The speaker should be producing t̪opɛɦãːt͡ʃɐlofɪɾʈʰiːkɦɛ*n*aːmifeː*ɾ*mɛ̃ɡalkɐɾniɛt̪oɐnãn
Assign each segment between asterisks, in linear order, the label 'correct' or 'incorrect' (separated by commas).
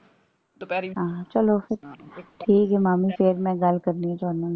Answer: incorrect, correct